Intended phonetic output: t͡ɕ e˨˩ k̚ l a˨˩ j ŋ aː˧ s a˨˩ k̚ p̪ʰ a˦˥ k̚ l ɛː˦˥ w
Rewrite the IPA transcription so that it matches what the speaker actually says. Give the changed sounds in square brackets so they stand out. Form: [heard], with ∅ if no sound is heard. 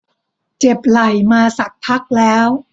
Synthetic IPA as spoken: t͡ɕ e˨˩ [p̚] l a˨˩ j [m] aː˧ s a˨˩ k̚ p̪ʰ a˦˥ k̚ l ɛː˦˥ w